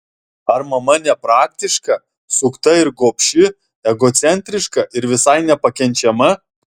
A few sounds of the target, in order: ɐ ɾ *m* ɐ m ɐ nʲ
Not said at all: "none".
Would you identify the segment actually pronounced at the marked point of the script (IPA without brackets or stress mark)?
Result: m